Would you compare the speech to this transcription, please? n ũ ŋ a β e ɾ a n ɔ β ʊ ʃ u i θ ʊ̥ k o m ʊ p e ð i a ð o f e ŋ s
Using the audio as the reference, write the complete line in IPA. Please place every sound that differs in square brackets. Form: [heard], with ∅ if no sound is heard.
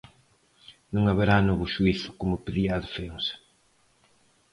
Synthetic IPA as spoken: n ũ ŋ a β e ɾ a n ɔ β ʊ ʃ u i θ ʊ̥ k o m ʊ p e ð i a ð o f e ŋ s